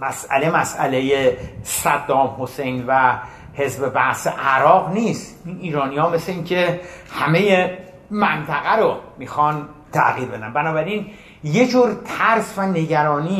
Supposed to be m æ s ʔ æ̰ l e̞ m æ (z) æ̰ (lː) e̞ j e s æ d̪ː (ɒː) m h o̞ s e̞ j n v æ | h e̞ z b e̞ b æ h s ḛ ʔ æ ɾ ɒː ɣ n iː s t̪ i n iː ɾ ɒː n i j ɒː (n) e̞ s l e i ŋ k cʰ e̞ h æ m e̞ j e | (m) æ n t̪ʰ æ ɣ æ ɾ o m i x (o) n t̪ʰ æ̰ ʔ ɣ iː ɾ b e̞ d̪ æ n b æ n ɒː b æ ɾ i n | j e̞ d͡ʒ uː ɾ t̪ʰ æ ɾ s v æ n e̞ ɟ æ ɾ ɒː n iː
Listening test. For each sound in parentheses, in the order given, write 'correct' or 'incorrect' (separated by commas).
incorrect, incorrect, correct, incorrect, correct, incorrect